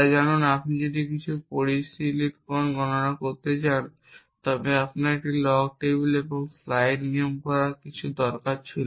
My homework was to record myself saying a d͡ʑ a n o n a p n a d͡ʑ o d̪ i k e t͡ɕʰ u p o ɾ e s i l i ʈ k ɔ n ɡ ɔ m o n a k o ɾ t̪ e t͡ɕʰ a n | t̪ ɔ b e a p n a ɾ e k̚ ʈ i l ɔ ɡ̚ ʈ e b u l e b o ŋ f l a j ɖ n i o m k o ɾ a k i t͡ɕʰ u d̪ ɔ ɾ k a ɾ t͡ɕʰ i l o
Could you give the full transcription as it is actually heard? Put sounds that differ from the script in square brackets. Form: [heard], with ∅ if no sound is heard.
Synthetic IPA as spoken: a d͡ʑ a n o n a p n [i] d͡ʑ o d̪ i k [i] t͡ɕʰ u p o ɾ [i] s i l i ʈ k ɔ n ɡ ɔ [n] o n a k o ɾ t̪ e [t͡ɕ] a n | t̪ ɔ b e a p n a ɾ e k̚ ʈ i l ɔ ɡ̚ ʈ e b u l e b o ŋ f l a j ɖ n i o m k [ɔ] ɾ a k i t͡ɕʰ u d̪ ɔ ɾ k a ɾ t͡ɕʰ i l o